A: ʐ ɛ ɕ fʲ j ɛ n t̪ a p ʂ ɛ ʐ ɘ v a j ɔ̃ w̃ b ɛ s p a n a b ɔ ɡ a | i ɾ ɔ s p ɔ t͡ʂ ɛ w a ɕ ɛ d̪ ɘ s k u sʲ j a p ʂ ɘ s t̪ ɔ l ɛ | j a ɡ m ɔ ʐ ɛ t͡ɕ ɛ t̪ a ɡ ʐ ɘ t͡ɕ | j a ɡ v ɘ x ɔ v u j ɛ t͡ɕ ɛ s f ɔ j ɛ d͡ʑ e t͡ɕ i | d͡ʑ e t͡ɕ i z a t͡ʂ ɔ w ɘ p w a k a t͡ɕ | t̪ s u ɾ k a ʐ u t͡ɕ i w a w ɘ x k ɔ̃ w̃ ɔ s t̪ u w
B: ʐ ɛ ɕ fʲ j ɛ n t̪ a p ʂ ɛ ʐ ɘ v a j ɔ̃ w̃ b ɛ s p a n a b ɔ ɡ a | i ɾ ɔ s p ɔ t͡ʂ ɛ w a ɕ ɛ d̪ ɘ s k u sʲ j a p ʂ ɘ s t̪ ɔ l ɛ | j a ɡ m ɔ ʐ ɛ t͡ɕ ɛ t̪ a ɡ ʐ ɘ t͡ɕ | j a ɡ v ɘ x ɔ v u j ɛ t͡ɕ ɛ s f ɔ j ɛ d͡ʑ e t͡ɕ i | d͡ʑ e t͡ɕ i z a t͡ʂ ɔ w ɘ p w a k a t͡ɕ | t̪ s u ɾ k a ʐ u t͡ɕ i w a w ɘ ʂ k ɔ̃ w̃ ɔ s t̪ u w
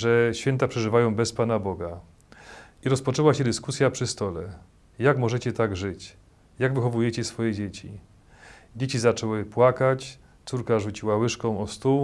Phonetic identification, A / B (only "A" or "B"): B